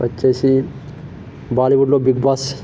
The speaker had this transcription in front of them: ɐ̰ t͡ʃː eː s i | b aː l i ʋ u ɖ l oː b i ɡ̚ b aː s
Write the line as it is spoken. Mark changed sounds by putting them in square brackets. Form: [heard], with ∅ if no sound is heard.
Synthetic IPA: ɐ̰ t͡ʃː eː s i | b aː l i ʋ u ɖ l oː b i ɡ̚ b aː s

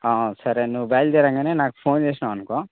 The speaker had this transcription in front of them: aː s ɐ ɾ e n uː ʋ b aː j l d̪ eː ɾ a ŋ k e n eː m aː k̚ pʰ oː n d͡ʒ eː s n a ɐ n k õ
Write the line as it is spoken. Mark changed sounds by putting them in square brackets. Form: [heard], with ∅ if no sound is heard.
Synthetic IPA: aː s ɐ ɾ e n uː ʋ b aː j l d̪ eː ɾ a ŋ [ɡ] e n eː [n] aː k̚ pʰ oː n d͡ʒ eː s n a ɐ n k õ

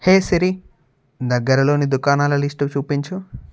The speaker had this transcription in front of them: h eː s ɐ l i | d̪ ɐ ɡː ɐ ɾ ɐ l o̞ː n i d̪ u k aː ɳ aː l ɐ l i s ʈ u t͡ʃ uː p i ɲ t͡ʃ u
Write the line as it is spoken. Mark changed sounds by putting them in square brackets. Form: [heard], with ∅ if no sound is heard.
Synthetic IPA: h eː s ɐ [ɾ] i | d̪ ɐ ɡː ɐ ɾ ɐ l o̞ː n i d̪ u k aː [n] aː l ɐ l i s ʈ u t͡ʃ uː p i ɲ t͡ʃ u

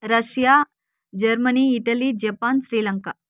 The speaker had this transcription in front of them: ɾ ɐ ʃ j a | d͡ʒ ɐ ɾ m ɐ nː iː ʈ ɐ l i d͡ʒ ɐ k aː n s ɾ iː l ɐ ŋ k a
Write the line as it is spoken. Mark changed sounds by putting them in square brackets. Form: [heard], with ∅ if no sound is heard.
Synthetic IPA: ɾ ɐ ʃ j a | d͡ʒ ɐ ɾ m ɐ [n] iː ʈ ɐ l i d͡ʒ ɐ [p] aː n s ɾ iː l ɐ ŋ k a

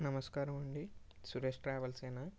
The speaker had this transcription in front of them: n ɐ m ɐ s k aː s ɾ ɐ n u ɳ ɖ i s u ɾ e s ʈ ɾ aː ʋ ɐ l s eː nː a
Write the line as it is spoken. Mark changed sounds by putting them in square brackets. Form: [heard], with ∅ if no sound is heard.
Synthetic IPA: n ɐ m ɐ s k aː [∅] ɾ ɐ [m] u ɳ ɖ i s u ɾ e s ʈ ɾ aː ʋ ɐ l s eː [n] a

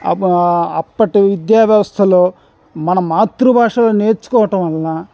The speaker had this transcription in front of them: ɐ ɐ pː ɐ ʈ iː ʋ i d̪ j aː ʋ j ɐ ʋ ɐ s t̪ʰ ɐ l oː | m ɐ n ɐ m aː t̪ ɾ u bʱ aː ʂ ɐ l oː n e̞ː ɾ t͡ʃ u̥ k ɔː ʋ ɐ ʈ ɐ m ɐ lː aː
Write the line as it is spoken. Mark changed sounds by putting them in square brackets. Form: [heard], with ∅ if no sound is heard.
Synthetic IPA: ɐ ɐ pː ɐ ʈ [i] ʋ i d̪ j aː ʋ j ɐ ʋ ɐ s t̪ʰ ɐ l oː | m ɐ n ɐ m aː t̪ ɾ u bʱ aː ʂ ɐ l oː n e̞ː ɾ t͡ʃ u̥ k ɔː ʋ ɐ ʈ ɐ m ɐ lː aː

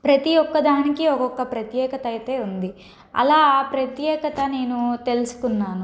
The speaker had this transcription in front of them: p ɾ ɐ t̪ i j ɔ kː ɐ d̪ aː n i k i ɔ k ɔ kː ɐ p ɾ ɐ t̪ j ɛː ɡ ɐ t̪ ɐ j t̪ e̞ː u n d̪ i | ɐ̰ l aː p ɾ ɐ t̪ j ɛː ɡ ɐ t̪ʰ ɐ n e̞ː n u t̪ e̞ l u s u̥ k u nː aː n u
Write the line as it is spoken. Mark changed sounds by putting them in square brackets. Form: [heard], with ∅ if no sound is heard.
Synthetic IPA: p ɾ ɐ t̪ i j ɔ kː ɐ d̪ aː n i k i ɔ k ɔ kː ɐ p ɾ ɐ t̪ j ɛː [k] ɐ t̪ ɐ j t̪ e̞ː u n d̪ i | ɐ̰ l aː p ɾ ɐ t̪ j ɛː [k] ɐ [t̪] ɐ n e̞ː n u t̪ e̞ l u s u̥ k u nː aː n u

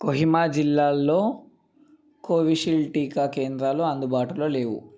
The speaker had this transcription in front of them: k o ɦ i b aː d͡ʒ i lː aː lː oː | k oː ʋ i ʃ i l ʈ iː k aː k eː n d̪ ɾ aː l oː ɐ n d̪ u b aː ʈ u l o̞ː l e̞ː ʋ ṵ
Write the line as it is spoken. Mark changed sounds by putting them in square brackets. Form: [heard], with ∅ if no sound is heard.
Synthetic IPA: k o ɦ i [m] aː d͡ʒ i lː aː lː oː | k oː ʋ i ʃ i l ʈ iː k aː k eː n d̪ ɾ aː l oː ɐ n d̪ u b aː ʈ u l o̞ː l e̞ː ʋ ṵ

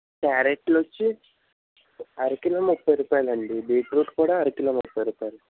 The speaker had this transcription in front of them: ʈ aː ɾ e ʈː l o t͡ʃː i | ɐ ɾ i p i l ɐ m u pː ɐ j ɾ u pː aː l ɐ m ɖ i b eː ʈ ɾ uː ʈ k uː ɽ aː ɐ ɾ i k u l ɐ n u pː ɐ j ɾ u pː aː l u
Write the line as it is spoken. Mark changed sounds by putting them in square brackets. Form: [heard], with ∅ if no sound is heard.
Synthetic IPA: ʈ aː ɾ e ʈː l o t͡ʃː i | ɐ ɾ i [k] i l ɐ m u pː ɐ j ɾ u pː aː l ɐ [ɳ] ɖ i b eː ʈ ɾ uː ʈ k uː ɽ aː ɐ ɾ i k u l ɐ [m] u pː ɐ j ɾ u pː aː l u

